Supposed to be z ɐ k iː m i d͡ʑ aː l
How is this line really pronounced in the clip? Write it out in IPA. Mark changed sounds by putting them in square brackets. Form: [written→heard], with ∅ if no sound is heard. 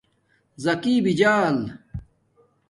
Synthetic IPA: z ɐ k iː [m→b] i d͡ʑ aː l